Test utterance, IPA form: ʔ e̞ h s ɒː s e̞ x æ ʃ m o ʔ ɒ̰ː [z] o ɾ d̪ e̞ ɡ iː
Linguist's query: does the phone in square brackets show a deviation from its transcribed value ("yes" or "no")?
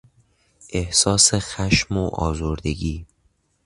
no